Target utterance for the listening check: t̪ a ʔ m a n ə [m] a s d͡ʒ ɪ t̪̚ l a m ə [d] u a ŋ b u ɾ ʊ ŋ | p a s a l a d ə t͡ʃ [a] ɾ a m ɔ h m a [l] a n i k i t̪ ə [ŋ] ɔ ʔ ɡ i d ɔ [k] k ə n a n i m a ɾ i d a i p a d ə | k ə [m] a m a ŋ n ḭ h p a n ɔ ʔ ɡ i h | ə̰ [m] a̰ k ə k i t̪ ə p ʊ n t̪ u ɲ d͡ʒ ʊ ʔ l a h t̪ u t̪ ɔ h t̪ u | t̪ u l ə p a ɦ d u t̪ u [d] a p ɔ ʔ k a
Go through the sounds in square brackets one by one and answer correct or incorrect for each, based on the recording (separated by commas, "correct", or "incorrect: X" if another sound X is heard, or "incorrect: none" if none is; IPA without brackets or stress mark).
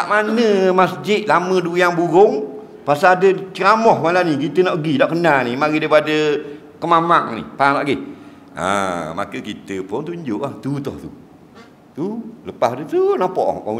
correct, correct, incorrect: ə, correct, incorrect: n, incorrect: ʔ, correct, correct, incorrect: n